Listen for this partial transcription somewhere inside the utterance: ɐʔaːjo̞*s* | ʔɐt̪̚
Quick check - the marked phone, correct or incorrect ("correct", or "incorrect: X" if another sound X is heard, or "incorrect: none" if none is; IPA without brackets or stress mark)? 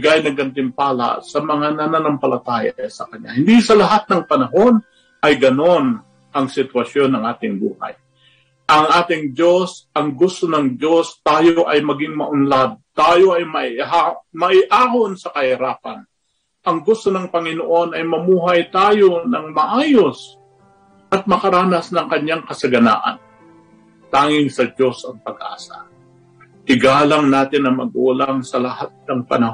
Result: correct